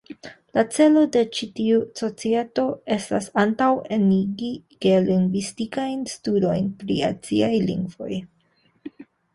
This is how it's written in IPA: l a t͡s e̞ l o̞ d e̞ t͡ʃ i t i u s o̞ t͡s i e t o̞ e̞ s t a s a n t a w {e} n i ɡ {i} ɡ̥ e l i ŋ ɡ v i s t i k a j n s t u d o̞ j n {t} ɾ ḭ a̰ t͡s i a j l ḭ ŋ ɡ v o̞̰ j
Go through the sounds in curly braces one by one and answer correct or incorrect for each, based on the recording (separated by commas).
correct, correct, incorrect